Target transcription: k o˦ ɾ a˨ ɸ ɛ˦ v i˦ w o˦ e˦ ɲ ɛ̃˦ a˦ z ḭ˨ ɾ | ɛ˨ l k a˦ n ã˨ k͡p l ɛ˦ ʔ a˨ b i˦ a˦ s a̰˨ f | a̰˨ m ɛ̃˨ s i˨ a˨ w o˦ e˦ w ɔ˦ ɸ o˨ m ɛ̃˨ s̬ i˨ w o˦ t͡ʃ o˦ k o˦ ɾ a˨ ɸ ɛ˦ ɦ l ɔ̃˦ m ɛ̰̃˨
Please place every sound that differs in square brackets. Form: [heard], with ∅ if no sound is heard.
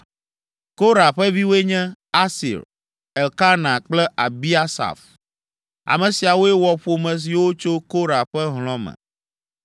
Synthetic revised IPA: k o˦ ɾ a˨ ɸ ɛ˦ v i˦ w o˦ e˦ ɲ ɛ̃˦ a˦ [s] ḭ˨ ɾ | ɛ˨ l k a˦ n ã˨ k͡p l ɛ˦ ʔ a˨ b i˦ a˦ s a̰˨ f | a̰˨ m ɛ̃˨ s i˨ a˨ w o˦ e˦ w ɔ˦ ɸ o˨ m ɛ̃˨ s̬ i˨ w o˦ t͡ʃ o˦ k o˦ ɾ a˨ ɸ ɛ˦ ɦ l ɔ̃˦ m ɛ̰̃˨